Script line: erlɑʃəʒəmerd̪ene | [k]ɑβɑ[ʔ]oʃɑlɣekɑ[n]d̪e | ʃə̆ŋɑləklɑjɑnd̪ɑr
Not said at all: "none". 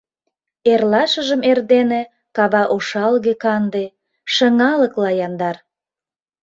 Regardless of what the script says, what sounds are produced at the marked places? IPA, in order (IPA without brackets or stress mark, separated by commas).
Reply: k, ʔ, n